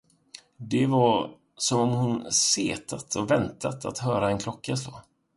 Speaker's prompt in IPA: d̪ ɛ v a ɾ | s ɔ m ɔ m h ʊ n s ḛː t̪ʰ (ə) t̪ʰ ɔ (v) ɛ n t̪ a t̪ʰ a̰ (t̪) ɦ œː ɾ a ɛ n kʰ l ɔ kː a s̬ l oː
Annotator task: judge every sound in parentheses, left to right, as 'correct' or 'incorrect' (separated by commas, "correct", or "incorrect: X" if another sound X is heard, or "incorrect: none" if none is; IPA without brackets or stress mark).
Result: incorrect: a, correct, correct